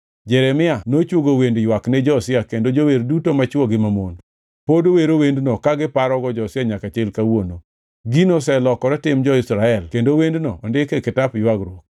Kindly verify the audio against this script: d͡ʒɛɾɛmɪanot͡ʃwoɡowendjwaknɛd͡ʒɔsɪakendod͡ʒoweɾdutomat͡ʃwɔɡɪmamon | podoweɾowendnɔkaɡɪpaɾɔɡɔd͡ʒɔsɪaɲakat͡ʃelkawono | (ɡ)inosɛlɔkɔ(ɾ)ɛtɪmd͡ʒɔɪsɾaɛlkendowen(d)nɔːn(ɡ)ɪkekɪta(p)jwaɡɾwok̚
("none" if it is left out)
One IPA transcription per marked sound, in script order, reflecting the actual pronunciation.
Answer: ɡ, ɾ, d, d, p

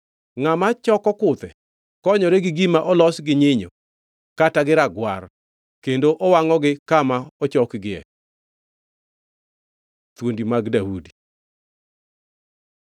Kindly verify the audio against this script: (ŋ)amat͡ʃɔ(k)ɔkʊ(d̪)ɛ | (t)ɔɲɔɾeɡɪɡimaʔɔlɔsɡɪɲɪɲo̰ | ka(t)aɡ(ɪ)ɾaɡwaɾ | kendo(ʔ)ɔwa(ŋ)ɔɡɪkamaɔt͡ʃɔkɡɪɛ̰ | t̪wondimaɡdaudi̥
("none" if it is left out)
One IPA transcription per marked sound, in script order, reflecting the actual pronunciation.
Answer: ŋ, k, t̪, k, t, ɪ, ʔ, ŋ

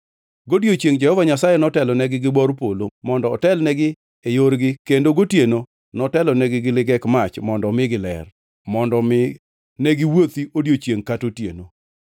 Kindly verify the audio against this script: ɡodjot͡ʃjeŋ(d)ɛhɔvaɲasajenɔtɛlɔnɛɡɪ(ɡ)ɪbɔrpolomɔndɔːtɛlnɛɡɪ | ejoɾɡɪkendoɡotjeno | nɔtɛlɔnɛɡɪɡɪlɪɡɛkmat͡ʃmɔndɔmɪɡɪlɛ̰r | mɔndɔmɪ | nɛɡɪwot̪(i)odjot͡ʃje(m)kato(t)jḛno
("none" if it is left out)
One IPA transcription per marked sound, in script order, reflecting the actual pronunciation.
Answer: d͡ʒ, ɡ, i, ŋ, t

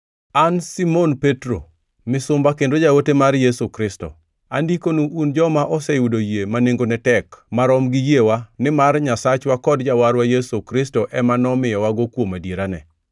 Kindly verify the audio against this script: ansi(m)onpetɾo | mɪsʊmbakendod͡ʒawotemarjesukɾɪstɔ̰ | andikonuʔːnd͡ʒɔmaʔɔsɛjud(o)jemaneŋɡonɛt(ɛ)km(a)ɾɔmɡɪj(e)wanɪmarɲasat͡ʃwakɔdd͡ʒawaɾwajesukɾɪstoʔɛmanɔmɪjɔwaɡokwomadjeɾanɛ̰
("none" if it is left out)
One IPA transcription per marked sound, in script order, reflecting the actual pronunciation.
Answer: m, o, ɛ, a, e

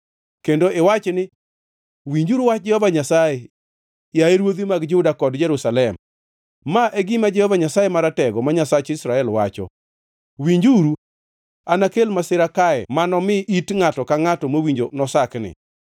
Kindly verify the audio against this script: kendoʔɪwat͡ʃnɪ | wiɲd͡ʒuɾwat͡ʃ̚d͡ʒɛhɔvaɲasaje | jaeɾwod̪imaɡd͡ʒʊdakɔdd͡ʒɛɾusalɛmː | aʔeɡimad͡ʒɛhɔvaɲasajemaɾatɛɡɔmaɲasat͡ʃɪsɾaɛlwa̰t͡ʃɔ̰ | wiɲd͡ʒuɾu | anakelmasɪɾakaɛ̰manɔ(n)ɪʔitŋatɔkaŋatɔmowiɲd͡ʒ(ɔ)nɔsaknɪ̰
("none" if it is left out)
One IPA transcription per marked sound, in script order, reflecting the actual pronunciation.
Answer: m, o

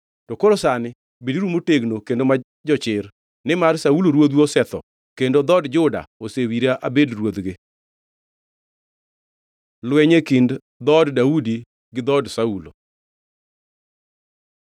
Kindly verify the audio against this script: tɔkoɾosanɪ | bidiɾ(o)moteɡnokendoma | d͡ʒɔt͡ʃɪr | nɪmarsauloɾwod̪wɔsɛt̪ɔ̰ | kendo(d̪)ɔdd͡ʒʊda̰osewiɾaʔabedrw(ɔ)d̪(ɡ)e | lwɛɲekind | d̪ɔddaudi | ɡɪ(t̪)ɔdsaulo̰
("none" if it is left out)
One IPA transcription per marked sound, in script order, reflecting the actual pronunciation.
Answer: u, d̪, o, ɡ, d̪

